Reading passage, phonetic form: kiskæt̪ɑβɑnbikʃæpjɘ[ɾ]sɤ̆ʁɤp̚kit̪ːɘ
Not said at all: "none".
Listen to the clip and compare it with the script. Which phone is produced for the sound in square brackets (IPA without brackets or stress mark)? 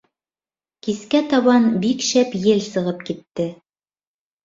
l